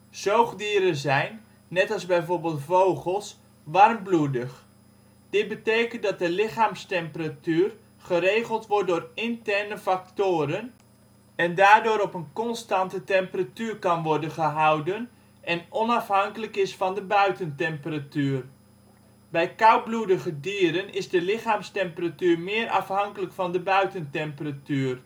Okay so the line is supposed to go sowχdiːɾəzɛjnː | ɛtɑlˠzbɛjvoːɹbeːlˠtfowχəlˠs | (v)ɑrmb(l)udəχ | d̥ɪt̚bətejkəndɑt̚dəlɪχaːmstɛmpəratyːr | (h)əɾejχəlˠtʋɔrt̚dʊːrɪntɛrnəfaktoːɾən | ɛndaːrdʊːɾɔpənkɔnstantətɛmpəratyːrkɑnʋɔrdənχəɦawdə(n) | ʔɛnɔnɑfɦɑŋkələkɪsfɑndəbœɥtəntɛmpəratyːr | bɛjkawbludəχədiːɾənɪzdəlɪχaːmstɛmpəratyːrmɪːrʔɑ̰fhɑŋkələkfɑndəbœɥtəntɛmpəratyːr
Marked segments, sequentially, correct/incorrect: incorrect, correct, incorrect, correct

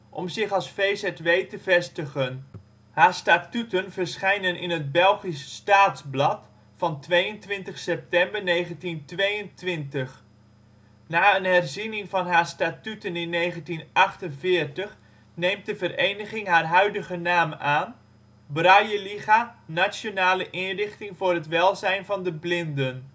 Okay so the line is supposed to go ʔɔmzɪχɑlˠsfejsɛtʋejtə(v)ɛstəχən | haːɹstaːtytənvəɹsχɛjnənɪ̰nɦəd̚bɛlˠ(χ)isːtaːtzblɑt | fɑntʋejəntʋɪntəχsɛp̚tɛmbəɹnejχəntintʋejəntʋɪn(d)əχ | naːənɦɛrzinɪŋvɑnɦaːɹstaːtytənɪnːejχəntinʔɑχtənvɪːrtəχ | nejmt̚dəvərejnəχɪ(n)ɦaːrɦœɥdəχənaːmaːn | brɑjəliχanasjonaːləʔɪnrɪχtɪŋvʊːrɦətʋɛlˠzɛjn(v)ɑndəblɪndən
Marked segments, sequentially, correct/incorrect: correct, correct, incorrect, incorrect, correct

